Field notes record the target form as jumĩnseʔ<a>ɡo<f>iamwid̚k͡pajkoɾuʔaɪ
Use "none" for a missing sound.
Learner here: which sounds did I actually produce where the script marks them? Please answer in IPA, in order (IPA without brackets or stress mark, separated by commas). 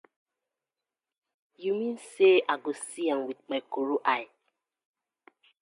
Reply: a, s